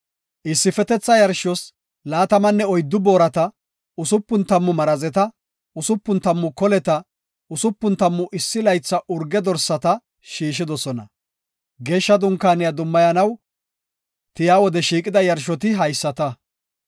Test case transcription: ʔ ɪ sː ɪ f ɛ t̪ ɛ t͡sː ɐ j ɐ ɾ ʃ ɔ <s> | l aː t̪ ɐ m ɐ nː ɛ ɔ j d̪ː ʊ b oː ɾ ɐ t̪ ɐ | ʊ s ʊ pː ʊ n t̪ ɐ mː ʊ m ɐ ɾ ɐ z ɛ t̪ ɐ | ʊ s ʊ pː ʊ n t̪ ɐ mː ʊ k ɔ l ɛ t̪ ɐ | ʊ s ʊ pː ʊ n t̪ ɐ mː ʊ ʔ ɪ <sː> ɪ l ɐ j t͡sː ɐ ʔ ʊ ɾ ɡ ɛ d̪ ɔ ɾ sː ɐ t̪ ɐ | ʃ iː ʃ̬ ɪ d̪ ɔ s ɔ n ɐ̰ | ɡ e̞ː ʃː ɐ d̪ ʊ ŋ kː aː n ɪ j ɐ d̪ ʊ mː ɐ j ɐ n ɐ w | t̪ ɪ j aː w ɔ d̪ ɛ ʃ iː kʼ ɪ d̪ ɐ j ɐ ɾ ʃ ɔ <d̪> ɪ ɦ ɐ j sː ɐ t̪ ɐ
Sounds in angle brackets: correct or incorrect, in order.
correct, correct, incorrect

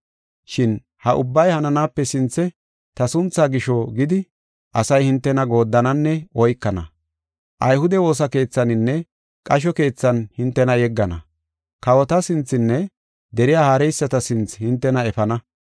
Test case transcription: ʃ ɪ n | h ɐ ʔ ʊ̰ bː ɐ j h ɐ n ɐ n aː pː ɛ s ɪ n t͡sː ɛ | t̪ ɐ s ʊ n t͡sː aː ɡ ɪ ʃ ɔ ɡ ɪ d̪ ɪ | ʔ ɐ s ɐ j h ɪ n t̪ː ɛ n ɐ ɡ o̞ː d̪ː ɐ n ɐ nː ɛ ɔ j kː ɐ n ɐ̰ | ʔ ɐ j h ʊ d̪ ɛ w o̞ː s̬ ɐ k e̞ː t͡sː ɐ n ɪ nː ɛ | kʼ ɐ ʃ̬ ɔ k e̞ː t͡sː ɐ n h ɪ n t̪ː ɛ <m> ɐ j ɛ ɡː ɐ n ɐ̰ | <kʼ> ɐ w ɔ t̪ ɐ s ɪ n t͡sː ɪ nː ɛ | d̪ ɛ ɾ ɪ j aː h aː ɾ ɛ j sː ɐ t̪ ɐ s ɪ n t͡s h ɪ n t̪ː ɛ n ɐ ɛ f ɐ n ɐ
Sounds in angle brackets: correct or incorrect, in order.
incorrect, incorrect

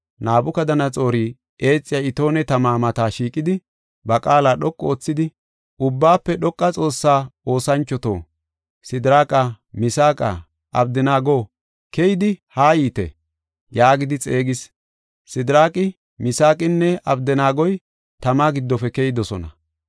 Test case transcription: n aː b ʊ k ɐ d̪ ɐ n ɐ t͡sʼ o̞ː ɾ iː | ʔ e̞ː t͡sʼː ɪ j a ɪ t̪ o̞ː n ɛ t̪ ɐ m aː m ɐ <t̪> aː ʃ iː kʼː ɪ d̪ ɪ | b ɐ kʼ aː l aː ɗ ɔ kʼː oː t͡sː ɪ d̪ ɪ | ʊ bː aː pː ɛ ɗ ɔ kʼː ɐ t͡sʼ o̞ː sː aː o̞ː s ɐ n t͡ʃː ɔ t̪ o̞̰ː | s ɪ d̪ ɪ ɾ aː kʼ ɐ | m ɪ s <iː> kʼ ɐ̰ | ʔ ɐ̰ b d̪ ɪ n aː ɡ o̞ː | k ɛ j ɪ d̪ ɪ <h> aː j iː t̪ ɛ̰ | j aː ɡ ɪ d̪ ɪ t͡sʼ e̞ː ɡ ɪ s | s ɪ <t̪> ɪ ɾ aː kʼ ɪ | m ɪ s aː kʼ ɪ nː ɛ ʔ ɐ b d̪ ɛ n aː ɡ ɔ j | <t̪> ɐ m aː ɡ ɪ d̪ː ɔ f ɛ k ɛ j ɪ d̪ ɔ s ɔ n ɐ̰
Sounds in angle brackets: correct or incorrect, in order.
correct, incorrect, correct, incorrect, correct

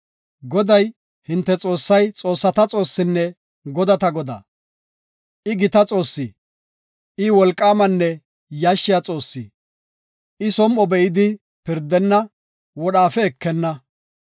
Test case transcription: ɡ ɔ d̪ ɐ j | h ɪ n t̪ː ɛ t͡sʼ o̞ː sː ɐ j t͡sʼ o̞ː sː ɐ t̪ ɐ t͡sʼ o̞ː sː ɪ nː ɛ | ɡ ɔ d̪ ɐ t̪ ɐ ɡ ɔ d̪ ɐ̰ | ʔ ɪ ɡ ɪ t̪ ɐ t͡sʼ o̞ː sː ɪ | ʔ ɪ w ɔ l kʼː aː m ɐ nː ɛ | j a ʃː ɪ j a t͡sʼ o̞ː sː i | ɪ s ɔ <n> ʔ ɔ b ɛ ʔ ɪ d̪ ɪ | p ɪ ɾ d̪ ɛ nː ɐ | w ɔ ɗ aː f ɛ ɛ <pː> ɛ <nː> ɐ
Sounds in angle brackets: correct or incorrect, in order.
incorrect, incorrect, correct

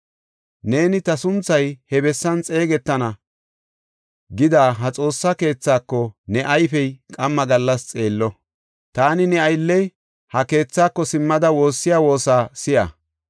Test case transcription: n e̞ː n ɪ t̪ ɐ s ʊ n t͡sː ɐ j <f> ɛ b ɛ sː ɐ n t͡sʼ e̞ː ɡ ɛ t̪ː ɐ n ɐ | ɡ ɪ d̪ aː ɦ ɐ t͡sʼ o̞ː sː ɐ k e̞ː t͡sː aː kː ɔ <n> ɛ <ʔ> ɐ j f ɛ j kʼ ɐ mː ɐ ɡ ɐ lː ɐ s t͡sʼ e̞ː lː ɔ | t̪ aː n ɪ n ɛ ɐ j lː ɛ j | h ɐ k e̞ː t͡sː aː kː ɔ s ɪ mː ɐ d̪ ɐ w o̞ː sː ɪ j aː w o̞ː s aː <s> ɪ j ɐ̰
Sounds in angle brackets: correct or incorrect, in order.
incorrect, correct, correct, correct

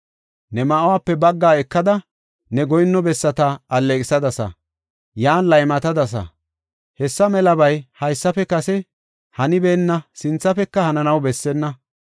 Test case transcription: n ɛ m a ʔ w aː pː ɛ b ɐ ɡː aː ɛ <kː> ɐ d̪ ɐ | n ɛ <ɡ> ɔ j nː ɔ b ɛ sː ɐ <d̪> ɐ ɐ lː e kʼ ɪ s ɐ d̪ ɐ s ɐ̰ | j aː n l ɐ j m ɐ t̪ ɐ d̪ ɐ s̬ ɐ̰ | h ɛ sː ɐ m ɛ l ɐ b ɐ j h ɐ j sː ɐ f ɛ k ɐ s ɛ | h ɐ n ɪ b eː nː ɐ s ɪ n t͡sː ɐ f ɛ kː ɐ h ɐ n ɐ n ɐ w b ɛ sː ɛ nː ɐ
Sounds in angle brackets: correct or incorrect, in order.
correct, correct, incorrect

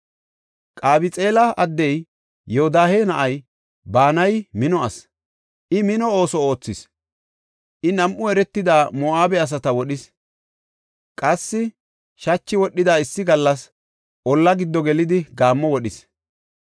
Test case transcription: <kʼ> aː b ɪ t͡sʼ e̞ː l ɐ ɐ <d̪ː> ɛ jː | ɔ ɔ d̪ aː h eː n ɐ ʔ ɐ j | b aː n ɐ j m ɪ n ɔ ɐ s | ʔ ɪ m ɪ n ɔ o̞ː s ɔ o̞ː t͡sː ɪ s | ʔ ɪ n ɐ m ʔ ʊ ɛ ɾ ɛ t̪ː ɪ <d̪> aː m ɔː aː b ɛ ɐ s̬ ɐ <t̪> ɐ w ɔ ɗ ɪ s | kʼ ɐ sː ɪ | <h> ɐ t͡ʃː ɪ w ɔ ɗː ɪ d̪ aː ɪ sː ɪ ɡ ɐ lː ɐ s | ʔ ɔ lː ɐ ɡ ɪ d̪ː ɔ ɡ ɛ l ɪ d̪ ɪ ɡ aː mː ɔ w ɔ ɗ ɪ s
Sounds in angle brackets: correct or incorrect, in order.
correct, correct, correct, correct, incorrect

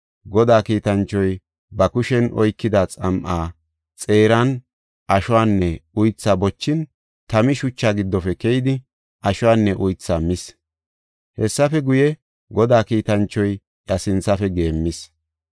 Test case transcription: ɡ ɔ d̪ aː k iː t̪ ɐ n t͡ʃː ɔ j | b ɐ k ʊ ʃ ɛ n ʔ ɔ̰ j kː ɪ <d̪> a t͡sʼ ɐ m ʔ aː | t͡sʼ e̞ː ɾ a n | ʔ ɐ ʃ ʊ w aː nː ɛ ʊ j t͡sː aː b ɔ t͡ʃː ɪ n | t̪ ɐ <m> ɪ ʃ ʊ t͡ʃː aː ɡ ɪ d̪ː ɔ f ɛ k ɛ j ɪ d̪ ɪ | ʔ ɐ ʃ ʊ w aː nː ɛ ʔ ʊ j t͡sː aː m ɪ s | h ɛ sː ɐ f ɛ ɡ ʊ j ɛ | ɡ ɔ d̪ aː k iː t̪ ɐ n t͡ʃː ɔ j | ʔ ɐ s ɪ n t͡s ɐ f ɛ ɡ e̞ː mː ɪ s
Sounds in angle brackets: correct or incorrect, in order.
correct, correct

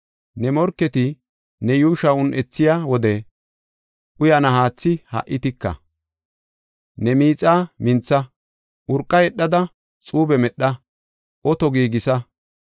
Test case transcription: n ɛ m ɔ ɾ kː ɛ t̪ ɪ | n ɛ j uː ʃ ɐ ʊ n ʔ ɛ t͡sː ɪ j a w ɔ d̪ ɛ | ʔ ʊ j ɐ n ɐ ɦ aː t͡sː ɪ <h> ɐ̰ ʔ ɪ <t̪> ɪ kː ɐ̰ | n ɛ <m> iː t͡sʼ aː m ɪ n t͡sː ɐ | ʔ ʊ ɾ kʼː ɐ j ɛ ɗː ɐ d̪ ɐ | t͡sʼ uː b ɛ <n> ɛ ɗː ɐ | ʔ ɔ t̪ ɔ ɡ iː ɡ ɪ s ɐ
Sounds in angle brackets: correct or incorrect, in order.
correct, correct, correct, incorrect

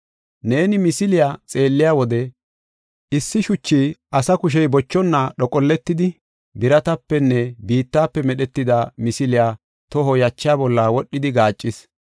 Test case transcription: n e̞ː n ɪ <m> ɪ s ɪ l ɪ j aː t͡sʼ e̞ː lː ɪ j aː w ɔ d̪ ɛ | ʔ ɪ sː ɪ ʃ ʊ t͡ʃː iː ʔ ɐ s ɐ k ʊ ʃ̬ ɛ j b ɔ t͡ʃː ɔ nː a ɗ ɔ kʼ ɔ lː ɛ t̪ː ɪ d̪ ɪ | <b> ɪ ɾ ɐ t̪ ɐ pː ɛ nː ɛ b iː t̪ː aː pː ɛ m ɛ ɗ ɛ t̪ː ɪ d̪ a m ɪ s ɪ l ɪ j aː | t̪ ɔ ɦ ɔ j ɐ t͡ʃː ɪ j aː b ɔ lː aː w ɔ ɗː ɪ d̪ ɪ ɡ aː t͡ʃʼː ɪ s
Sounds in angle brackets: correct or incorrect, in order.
correct, correct

